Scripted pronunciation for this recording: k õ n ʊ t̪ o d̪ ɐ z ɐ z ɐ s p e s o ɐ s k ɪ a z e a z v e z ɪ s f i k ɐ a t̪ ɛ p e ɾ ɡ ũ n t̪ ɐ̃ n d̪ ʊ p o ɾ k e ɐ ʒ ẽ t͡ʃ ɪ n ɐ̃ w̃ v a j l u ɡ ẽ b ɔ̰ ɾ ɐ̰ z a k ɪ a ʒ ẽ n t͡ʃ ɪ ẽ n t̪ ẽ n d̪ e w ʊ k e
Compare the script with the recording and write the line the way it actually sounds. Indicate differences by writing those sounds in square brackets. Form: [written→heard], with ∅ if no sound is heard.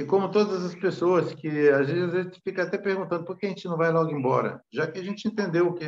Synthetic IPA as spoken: k õ [n→m] ʊ t̪ o d̪ ɐ z ɐ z ɐ s p e s o ɐ s k ɪ a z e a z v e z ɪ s f i k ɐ a t̪ ɛ p e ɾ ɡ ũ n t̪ ɐ̃ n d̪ ʊ p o ɾ k e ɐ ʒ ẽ t͡ʃ ɪ n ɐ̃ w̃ v a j l [u→ɔ] ɡ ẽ b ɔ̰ ɾ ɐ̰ [z→ʒ] a k ɪ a ʒ ẽ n t͡ʃ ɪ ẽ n t̪ ẽ n d̪ e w ʊ k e